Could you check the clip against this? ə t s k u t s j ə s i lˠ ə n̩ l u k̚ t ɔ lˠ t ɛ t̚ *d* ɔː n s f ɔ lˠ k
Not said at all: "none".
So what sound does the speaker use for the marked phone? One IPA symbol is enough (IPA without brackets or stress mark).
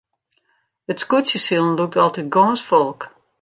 ɡ